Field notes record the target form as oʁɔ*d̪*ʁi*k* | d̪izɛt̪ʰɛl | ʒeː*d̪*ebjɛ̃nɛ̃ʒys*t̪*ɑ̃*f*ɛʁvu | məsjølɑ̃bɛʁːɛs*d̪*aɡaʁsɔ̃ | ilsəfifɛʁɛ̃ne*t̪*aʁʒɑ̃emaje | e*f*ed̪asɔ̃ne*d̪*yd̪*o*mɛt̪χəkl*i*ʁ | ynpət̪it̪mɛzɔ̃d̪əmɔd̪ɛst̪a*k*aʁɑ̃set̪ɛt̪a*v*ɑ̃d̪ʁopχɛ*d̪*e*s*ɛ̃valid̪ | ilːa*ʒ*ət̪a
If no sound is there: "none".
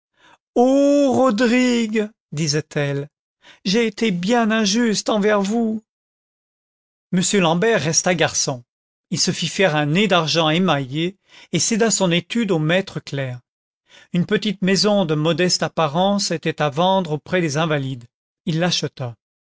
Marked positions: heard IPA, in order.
d̪, ɡ, t̪, t̪, v, t̪, d̪, s, t̪, o, ɛ, p, v, d̪, z, ʃ

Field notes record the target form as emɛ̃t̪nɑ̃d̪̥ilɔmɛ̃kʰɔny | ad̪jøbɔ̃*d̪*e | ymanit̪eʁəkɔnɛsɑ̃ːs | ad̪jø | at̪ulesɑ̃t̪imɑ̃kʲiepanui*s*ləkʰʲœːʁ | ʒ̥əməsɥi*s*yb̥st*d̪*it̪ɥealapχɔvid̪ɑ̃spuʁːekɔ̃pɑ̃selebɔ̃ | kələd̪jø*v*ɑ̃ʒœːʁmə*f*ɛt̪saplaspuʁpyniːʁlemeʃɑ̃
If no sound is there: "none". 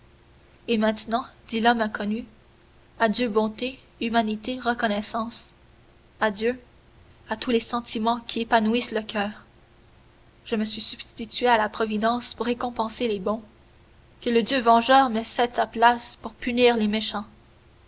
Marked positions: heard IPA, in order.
t̪, s, s, t̪, v, s

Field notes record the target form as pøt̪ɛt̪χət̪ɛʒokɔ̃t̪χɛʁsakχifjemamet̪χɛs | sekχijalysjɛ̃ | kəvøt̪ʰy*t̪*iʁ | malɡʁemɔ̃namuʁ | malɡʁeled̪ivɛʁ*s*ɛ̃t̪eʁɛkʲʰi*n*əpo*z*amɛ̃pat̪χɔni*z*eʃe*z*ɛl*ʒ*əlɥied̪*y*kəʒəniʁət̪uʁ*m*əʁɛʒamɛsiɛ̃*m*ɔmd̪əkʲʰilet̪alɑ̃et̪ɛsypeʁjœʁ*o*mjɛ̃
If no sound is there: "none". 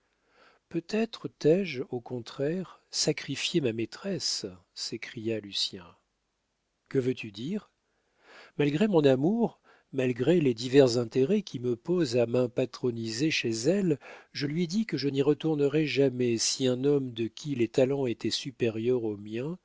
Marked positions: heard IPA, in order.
d̪, z, m, z, z, z, ʒ, i, n, n, o

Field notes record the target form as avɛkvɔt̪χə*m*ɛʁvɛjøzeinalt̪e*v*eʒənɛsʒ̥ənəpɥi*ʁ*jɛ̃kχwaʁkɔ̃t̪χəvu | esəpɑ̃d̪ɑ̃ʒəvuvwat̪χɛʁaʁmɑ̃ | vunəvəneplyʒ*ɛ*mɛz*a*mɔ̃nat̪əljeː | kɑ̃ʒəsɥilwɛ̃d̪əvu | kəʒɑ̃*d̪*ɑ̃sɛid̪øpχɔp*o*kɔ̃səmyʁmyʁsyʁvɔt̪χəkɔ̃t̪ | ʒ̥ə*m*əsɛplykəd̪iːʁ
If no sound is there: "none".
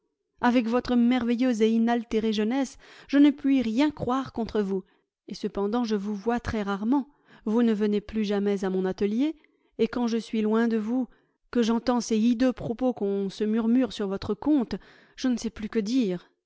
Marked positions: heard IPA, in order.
m, ʁ, ʁ, a, a, t̪, o, n

